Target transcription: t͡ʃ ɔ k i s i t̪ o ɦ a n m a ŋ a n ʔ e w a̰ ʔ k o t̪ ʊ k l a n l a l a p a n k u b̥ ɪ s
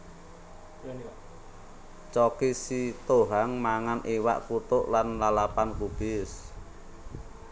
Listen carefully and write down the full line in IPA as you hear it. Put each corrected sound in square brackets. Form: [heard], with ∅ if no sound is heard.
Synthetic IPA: t͡ʃ ɔ k i s i t̪ o ɦ a [ŋ] m a ŋ a n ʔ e w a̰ ʔ k [u] t̪ ʊ [ʔ] l a n l a l a p a n k u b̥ ɪ s

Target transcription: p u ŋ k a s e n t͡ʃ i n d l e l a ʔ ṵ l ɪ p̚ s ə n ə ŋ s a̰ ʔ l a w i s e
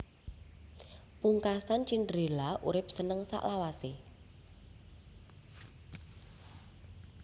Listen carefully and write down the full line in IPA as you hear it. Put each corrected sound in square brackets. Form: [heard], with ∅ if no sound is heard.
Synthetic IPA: p u ŋ k a s [a] n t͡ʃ i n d [ɾ] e l a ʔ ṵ [ɾ] ɪ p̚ s ə n ə ŋ s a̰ ʔ l a w [a] s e

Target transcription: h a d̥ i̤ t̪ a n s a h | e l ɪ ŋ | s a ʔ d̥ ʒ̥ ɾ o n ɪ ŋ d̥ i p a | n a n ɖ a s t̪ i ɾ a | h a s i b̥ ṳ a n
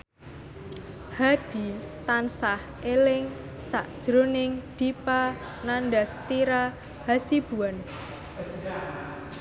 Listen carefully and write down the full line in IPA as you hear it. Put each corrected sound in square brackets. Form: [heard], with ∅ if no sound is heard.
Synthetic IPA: h a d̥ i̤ t̪ a n s a h | e l ɪ ŋ | s a ʔ d̥ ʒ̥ ɾ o n ɪ ŋ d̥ i p a | n a n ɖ a s t̪ i ɾ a | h a s i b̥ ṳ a n

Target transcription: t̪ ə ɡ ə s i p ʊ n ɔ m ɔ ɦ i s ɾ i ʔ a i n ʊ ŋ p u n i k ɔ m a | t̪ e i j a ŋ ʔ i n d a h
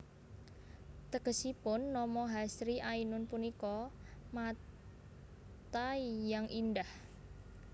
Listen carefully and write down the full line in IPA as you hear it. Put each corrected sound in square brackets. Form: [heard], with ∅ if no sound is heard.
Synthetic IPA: t̪ ə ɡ ə s i p ʊ [nː] ɔ m ɔ ɦ [a] s ɾ i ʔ a i n ʊ [n] p u n i k ɔ m a | t̪ [a] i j a ŋ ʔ i n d a h

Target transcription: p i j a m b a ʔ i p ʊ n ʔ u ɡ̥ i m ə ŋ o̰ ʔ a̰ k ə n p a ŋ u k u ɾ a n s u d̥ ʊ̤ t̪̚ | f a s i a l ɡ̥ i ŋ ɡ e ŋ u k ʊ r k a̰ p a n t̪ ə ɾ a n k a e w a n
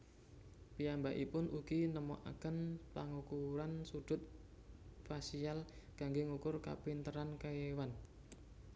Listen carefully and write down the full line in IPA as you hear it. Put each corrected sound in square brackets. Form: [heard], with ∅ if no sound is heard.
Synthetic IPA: p i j a m b a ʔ i p ʊ n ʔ u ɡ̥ i [n] ə [m] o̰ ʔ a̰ k ə n p a ŋ u k u ɾ a n s u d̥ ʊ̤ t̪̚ | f a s i a l ɡ̥ [a] ŋ ɡ e ŋ u k ʊ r k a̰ p [i] n t̪ ə ɾ a n k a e w a n

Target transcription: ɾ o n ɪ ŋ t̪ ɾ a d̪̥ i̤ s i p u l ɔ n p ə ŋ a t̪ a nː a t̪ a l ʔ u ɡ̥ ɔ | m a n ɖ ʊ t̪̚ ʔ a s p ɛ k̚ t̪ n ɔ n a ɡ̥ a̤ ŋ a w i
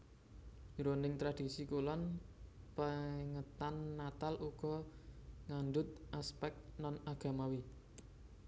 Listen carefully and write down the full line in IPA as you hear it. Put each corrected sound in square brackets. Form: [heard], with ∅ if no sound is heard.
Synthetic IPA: ɾ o n ɪ ŋ t̪ ɾ a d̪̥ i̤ s i [k] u l ɔ n p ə ŋ [ə] t̪ a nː a t̪ a l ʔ u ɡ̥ ɔ | [ŋ] a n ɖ ʊ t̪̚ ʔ a s p ɛ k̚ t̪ n ɔ n a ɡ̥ a̤ [m] a w i

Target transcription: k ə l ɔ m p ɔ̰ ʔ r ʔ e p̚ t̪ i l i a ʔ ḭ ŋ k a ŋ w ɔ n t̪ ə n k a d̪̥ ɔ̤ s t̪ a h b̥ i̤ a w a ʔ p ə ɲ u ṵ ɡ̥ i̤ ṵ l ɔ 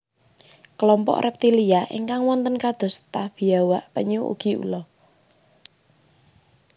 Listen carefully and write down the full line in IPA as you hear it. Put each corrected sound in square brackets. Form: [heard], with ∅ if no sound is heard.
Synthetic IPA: k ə l ɔ m p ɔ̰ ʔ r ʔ [ɛ] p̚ t̪ i l i a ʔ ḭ ŋ k a ŋ w ɔ n t̪ ə n k a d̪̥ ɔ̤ s t̪ a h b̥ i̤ a w a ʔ p ə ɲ u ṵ ɡ̥ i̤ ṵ l ɔ

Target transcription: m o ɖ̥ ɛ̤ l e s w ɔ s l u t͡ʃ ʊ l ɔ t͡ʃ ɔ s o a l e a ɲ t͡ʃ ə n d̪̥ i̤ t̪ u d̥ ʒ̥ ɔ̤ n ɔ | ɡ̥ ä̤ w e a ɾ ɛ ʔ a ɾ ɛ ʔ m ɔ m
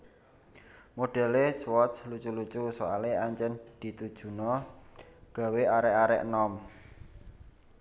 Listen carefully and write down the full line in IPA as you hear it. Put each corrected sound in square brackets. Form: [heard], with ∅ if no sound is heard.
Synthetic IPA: m o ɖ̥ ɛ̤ l e s w ɔ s l u t͡ʃ [u] l [u] t͡ʃ [u] s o a l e a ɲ t͡ʃ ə n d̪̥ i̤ t̪ u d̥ ʒ̥ [ṳ] n ɔ | ɡ̥ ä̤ w e a ɾ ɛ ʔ a ɾ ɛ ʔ [n] ɔ m

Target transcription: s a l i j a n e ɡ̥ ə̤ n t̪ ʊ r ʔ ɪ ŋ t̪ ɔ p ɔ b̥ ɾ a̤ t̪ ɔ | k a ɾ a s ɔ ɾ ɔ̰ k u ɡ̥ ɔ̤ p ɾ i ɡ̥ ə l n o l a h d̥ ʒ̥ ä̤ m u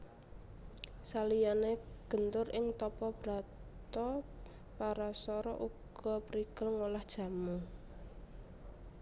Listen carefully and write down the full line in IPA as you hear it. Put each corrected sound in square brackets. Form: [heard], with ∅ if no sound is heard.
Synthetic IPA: s a l i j a n e ɡ̥ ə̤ n t̪ ʊ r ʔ ɪ ŋ t̪ ɔ p ɔ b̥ ɾ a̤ t̪ ɔ | [p] a ɾ a s ɔ ɾ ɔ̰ [ʔ] u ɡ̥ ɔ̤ p ɾ i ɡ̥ ə l [ŋ] o l a h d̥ ʒ̥ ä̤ m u

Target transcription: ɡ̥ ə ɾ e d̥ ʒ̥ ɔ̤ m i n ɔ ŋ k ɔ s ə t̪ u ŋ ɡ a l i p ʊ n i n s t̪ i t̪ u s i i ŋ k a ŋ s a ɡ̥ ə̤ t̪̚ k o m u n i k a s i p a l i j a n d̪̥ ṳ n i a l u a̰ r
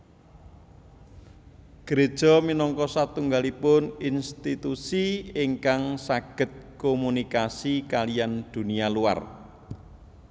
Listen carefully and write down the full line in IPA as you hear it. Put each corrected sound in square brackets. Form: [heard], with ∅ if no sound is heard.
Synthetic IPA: ɡ̥ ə ɾ e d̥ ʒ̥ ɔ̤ m i n ɔ ŋ k ɔ s [a] t̪ u ŋ ɡ a l i p ʊ n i n s t̪ i t̪ u s i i ŋ k a ŋ s a ɡ̥ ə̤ t̪̚ k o m u n i k a s i [k] a l i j a n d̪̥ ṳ n i a l u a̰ r

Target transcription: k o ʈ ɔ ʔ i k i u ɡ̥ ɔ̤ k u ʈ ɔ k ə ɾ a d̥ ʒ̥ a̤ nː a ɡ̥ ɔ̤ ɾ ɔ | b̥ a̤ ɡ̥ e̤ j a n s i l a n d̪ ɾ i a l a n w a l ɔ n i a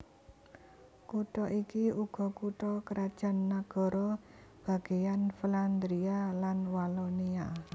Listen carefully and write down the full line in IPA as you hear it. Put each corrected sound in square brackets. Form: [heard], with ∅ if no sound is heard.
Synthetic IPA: k [u] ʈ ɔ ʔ i k i u ɡ̥ ɔ̤ k u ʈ ɔ k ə ɾ a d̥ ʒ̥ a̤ nː a ɡ̥ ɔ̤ ɾ ɔ | b̥ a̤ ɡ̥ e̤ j a n [f] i l a n d̪ ɾ i a l a n w a l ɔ n i a

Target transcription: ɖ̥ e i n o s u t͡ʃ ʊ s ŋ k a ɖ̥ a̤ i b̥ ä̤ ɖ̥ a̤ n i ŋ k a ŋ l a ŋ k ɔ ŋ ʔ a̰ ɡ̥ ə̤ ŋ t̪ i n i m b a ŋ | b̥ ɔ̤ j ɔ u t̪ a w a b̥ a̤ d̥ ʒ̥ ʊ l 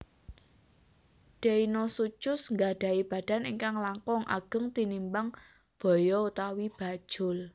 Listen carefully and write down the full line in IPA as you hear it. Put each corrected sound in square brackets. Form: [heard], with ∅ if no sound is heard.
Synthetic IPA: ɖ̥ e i n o s u t͡ʃ ʊ s ŋ [ɡ] a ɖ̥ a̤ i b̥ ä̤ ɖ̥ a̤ n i ŋ k a ŋ l a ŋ k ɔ ŋ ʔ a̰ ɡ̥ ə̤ ŋ t̪ i n i m b a ŋ | b̥ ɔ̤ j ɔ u t̪ a w [i] b̥ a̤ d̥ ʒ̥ ʊ l

